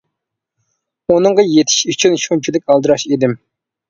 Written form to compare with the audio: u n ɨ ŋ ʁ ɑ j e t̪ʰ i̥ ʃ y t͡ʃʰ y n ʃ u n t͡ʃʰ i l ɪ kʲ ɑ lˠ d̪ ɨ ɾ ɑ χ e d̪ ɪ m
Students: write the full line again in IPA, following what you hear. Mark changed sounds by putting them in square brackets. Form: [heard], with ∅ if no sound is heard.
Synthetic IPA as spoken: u n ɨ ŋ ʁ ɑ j e t̪ʰ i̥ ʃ y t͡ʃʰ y n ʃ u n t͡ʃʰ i l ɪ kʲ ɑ lˠ d̪ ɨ ɾ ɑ [ʃ] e d̪ ɪ m